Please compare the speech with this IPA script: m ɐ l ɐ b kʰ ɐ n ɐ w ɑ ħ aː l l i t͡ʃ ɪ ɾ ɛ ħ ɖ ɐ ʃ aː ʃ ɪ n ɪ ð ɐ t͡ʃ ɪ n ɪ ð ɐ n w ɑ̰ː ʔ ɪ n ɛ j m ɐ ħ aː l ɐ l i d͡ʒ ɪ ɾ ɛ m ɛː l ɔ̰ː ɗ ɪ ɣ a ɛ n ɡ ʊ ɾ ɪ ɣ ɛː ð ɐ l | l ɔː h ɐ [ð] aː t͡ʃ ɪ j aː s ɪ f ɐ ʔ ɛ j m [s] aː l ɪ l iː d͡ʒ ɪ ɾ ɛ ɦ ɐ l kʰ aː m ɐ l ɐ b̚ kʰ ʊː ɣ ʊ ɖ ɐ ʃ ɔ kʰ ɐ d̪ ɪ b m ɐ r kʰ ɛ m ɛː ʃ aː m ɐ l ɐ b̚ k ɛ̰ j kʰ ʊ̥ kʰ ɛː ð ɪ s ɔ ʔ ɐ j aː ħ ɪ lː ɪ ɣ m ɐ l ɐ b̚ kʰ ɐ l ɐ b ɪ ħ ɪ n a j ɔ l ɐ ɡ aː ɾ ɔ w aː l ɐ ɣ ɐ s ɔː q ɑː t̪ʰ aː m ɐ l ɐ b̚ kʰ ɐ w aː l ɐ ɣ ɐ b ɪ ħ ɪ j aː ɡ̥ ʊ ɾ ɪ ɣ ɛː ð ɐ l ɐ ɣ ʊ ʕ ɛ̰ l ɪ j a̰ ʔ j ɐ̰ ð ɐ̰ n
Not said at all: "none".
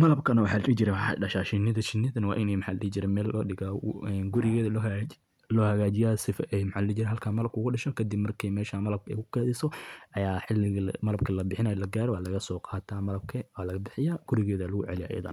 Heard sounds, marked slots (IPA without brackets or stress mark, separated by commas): ɣ, ħ